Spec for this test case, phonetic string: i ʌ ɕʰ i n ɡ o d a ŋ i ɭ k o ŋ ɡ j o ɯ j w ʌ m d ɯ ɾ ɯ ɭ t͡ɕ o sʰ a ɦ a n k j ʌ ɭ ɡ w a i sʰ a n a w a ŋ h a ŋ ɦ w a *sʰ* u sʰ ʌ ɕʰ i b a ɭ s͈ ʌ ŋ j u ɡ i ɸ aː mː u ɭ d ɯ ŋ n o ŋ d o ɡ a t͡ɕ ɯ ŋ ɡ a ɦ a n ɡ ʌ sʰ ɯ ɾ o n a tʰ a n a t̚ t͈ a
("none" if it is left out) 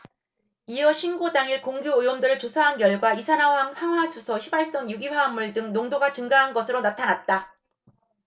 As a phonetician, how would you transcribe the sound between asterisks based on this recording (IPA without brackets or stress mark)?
sʰ